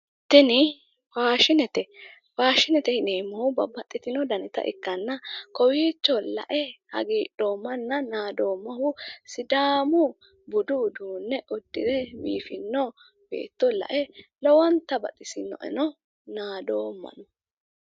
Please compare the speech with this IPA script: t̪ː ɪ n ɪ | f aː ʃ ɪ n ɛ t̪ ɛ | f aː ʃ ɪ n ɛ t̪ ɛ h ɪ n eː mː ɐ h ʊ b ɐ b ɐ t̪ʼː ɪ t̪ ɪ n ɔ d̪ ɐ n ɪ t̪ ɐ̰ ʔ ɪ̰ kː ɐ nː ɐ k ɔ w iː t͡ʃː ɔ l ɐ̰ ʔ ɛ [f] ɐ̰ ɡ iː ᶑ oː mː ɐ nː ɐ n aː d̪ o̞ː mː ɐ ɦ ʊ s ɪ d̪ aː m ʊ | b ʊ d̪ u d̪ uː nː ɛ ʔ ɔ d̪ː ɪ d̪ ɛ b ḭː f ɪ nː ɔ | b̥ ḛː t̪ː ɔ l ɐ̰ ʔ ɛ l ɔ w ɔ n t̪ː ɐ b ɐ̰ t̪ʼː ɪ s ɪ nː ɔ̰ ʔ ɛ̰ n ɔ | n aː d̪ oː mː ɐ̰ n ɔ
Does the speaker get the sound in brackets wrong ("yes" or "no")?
yes